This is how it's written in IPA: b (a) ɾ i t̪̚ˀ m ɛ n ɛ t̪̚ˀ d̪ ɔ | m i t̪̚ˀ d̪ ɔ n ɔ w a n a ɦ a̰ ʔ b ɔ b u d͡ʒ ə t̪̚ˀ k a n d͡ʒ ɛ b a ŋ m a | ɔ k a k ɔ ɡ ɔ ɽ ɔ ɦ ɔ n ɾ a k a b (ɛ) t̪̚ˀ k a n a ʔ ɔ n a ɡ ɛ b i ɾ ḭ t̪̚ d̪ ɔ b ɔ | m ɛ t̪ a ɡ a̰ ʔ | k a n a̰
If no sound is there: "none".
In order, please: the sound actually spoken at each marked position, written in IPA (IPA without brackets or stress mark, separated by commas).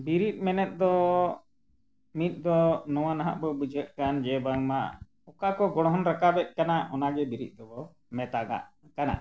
i, ɛ